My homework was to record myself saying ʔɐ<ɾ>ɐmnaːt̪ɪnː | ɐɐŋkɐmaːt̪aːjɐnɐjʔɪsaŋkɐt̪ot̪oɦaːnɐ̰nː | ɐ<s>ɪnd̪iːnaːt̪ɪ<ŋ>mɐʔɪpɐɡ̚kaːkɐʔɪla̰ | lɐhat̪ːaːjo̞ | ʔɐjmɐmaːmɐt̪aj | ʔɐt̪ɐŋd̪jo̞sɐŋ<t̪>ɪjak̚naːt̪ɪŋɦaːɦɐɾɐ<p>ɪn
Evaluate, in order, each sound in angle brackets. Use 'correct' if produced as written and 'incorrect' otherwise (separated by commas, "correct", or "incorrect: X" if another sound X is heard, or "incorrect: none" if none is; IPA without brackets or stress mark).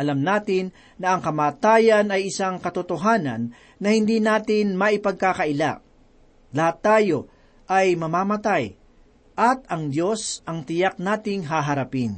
incorrect: l, incorrect: h, incorrect: n, correct, correct